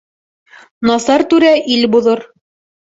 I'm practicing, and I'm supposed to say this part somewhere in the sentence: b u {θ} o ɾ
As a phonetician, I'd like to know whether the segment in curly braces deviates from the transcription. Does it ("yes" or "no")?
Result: yes